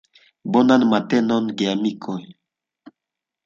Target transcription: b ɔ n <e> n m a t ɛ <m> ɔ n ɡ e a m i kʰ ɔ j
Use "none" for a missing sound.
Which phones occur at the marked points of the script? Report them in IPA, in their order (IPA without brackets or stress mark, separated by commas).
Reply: a, n